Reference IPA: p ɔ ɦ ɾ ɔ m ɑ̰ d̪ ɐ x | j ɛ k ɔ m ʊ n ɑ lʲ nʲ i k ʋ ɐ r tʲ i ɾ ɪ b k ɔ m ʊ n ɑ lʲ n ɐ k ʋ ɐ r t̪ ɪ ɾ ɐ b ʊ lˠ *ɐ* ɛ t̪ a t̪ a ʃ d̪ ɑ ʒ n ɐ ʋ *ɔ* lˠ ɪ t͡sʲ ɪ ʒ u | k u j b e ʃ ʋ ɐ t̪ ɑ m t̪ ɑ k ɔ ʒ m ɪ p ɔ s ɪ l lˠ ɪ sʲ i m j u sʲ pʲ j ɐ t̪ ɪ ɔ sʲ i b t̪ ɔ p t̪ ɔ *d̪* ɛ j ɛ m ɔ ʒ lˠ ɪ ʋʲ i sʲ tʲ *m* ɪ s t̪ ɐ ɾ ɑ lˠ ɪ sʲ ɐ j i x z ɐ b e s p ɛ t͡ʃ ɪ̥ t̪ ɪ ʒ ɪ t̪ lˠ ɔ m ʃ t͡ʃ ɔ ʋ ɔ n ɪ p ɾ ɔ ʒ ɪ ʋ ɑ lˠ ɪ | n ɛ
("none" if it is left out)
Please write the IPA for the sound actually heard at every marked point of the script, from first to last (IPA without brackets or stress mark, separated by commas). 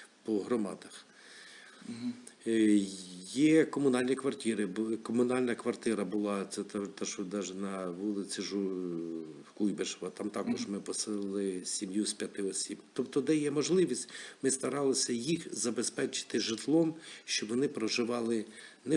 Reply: ɑ, u, d̪, m